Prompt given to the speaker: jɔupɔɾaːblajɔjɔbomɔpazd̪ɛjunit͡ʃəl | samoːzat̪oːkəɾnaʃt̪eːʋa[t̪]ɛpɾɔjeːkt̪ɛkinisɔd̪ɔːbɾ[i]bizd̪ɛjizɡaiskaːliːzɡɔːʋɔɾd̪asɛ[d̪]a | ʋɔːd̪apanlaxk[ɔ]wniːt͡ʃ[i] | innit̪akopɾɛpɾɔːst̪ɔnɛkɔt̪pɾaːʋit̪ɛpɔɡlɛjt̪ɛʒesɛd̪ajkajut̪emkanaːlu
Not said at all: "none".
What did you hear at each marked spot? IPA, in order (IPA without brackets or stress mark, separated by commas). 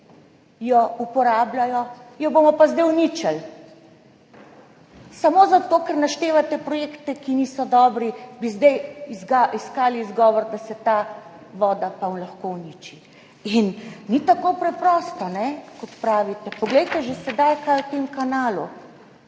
t̪, i, t̪, o, i